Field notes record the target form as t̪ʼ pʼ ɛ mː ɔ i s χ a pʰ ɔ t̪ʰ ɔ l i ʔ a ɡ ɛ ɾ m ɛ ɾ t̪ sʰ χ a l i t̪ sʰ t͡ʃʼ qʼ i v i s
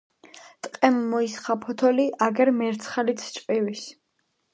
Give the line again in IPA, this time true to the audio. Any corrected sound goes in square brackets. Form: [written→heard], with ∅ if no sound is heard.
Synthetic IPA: t̪ʼ [pʼ→qʼ] ɛ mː ɔ i s χ a pʰ ɔ t̪ʰ ɔ l i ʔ a ɡ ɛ ɾ m ɛ ɾ t̪ sʰ χ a l i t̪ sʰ t͡ʃʼ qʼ i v i s